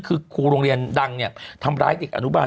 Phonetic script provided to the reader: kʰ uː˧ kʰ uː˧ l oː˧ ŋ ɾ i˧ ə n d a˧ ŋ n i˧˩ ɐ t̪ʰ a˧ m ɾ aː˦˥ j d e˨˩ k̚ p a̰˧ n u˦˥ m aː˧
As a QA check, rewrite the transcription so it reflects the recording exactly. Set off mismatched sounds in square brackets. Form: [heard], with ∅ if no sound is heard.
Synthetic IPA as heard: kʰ [ɯː˧] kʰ uː˧ [ɾ] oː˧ ŋ ɾ i˧ ə n d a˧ ŋ n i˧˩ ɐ t̪ʰ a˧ m ɾ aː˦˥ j d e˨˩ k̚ [ʔ] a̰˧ n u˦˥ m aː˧